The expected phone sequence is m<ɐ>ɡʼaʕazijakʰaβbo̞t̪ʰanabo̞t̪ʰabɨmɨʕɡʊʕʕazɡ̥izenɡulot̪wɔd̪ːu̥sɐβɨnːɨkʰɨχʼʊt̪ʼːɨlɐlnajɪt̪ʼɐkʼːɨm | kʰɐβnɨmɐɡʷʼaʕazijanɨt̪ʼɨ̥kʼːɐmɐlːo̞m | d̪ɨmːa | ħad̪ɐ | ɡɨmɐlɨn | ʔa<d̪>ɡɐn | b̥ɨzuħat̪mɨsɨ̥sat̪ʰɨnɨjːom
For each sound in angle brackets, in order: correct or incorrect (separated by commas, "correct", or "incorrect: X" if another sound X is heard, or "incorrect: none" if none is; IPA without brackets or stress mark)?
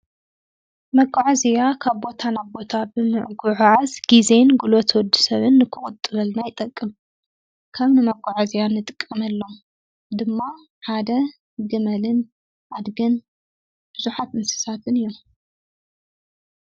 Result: correct, correct